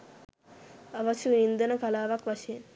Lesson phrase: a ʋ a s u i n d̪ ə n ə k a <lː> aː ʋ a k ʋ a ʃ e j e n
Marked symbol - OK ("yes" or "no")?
no